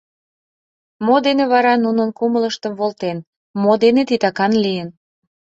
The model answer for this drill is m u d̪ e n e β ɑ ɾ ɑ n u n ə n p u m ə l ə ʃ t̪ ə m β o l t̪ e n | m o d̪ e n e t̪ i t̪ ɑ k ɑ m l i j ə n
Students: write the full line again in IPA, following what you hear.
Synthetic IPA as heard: m o d̪ e n e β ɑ ɾ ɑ n u n ə n k u m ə l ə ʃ t̪ ə m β o l t̪ e n | m o d̪ e n e t̪ i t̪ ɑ k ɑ n l i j ə n